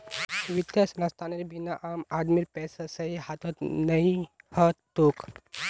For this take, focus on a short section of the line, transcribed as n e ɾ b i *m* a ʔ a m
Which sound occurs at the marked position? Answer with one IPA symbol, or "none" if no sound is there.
n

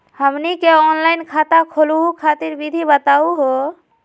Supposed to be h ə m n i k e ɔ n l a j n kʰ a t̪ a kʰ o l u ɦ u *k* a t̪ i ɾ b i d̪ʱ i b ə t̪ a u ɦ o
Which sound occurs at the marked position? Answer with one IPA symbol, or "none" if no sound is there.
kʰ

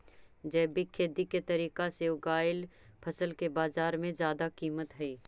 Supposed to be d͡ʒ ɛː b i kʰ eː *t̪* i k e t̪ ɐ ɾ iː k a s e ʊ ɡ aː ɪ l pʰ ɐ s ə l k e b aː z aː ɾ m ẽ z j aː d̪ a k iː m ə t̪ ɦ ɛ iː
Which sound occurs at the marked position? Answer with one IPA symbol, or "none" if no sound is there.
d̪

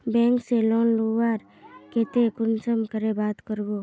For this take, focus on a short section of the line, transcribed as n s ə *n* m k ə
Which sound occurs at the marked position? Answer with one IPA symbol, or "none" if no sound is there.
none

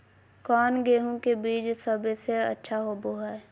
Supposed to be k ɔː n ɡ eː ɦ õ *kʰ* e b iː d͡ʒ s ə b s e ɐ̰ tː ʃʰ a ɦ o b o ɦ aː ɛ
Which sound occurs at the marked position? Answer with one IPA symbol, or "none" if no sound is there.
k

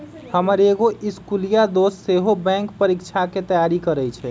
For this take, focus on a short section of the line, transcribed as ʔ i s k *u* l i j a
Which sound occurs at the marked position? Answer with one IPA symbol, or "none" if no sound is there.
u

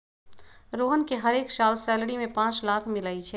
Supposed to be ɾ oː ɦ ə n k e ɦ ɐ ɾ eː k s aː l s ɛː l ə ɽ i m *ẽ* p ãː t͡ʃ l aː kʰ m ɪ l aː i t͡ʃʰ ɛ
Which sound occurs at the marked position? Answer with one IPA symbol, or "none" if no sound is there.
ẽ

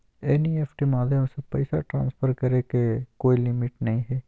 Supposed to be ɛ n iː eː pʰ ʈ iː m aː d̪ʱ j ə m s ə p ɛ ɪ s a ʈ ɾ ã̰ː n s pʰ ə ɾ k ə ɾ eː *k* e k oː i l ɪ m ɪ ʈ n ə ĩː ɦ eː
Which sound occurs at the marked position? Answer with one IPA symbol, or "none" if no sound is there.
k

